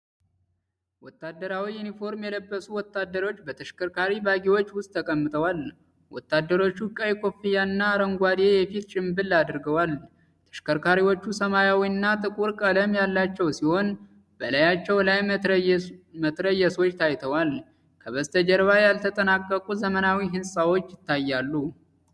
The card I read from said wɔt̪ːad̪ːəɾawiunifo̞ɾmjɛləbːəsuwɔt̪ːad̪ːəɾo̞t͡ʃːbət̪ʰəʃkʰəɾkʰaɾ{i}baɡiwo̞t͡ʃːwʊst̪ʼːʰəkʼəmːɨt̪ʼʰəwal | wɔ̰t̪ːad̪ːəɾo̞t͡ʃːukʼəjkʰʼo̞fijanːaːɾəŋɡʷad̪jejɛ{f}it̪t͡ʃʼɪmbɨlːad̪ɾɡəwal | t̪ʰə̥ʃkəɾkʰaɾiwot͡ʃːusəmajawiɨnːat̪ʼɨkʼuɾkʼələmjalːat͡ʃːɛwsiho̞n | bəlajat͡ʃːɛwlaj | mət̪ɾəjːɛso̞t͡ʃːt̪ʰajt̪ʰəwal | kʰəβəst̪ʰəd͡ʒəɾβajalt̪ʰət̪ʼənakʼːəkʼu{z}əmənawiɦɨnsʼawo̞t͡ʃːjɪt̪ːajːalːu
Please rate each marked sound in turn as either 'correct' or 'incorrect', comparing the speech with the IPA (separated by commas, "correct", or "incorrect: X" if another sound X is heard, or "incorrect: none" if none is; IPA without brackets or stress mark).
correct, correct, correct